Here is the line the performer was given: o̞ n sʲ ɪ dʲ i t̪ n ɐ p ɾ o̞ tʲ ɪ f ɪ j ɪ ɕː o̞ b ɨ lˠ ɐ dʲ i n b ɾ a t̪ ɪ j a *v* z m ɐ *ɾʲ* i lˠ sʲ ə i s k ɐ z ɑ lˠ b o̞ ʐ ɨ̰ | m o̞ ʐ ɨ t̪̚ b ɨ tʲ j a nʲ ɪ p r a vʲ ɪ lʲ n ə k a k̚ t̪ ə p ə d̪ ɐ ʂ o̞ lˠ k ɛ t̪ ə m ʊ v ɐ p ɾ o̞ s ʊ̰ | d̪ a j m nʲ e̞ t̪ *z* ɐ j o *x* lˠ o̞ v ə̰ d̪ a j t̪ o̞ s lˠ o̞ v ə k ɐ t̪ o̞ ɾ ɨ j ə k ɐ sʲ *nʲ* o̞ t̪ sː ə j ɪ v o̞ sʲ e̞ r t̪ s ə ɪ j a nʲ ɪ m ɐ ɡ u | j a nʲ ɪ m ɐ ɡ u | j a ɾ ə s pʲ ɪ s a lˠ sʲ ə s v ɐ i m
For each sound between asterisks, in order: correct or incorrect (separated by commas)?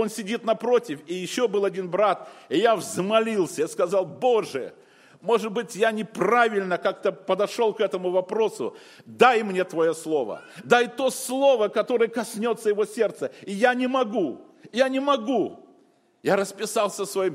correct, incorrect, incorrect, incorrect, correct